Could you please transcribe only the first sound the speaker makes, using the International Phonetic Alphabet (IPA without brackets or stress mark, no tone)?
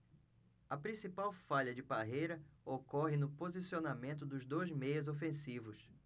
ɐ